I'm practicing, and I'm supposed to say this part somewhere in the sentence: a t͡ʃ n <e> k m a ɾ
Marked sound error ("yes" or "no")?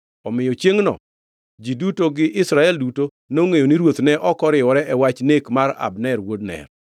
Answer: no